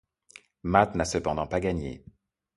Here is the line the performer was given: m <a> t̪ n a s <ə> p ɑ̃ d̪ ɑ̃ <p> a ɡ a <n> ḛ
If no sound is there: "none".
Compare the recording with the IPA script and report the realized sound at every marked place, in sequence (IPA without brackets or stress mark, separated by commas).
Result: a, ə, p, ɲ